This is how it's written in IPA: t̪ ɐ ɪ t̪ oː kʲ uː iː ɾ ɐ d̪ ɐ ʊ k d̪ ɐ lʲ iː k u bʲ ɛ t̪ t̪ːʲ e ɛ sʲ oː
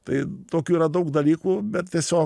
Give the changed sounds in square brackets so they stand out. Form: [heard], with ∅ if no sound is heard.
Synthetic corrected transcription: t̪ ɐ ɪ t̪ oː kʲ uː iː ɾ ɐ d̪ ɐ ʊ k d̪ ɐ lʲ iː k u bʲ ɛ t̪ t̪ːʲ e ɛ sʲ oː